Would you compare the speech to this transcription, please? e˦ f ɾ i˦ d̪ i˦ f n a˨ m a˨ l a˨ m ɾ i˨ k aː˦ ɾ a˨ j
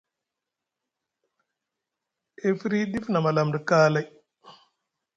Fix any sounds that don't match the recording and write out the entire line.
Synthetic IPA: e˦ f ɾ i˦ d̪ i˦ f n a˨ m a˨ l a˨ m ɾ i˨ k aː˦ l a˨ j